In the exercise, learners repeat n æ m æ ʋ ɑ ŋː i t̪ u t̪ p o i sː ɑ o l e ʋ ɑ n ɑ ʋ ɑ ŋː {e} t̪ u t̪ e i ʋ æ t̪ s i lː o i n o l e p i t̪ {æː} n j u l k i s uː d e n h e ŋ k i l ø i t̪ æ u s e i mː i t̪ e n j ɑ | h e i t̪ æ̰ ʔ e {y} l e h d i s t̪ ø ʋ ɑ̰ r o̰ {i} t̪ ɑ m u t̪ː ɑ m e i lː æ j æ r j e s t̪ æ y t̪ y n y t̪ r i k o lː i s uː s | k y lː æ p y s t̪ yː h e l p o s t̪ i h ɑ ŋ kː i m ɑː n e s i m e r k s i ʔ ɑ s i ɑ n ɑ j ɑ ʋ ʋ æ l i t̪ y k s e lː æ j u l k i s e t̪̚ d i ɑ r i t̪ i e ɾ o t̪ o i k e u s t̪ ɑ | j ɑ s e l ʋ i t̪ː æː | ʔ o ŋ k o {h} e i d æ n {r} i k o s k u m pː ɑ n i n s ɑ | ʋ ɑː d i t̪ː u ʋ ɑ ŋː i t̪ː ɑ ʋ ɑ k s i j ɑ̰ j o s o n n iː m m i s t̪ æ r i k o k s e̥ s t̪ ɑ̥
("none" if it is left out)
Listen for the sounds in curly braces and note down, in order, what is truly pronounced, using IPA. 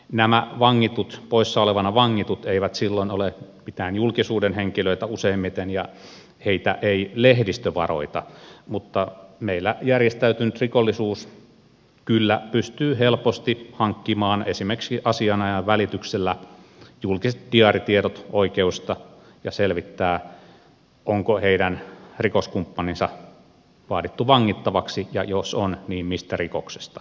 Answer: i, æː, i, i, h, r

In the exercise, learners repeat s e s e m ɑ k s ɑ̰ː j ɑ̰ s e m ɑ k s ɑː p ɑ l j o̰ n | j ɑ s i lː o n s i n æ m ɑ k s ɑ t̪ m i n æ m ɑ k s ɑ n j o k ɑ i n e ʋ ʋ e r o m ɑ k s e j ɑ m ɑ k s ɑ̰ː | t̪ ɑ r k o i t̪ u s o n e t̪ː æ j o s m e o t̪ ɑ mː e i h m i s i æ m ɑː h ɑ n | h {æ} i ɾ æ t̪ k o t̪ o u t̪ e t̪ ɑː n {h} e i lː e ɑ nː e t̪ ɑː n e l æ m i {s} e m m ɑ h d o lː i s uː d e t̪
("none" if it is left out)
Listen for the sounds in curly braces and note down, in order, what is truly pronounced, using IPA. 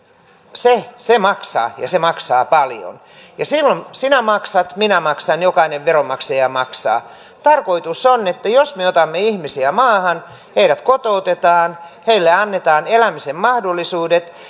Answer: e, h, s

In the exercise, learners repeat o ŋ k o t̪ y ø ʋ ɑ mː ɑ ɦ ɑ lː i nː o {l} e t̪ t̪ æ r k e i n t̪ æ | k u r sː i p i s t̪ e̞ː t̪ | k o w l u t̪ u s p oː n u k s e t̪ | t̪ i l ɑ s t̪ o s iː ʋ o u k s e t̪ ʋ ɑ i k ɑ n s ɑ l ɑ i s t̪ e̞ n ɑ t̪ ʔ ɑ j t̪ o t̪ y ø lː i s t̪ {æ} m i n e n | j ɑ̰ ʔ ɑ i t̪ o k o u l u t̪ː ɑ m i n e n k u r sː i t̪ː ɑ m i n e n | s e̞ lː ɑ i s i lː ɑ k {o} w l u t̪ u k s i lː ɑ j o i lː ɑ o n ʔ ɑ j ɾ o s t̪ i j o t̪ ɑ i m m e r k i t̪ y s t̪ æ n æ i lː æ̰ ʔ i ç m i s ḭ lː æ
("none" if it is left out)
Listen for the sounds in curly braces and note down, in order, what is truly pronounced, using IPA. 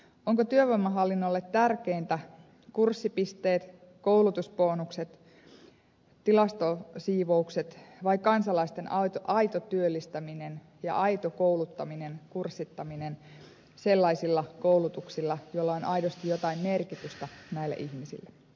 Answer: lː, æ, o

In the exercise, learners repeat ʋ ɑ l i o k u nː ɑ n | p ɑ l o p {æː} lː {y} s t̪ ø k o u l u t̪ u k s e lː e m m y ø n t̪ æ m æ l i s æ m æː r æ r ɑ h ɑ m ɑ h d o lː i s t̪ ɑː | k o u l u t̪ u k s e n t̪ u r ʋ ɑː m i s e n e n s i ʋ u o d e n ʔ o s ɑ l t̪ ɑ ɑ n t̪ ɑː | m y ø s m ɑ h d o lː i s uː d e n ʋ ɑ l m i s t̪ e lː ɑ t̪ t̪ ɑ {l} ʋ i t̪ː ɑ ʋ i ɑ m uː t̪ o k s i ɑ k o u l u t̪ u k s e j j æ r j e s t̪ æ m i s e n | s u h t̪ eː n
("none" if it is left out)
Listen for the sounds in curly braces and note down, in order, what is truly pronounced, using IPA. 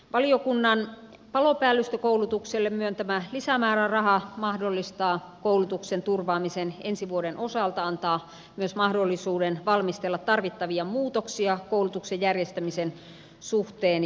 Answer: æː, y, r

